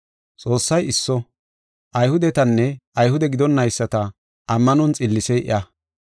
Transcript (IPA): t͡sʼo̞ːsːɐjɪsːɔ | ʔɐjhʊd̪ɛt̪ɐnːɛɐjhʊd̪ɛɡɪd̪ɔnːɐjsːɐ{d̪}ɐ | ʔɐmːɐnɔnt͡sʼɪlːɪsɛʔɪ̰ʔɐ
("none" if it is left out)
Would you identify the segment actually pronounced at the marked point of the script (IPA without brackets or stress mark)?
t̪